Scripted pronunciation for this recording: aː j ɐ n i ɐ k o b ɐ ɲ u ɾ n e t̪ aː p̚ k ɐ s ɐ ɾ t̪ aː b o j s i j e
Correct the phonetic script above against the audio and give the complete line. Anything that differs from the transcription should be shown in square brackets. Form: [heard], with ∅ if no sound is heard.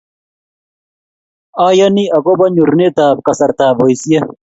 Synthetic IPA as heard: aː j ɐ n i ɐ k o b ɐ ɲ u ɾ n e t̪ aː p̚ k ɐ s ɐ ɾ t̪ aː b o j s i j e